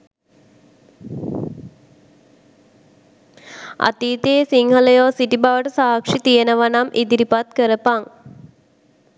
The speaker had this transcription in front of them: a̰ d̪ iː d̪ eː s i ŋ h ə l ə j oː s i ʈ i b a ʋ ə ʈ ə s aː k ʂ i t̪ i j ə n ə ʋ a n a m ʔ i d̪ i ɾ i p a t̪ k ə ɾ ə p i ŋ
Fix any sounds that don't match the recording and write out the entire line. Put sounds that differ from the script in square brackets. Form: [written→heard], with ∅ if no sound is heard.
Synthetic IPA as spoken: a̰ [d̪→t̪] iː [d̪→t̪] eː s i ŋ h ə l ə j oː s i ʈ i b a ʋ ə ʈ ə s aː k ʂ i t̪ i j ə n ə ʋ a n a m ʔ i d̪ i ɾ i p a t̪ k ə ɾ ə p [i→a] ŋ